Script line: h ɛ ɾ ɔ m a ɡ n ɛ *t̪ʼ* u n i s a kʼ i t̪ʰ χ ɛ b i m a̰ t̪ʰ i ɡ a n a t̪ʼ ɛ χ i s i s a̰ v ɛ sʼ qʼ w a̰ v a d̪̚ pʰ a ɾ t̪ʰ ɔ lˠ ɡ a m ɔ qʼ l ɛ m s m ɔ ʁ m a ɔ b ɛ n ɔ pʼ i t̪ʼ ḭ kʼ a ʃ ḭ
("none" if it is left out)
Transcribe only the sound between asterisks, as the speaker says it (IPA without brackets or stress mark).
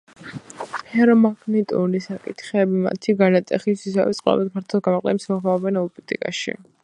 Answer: t̪ʼ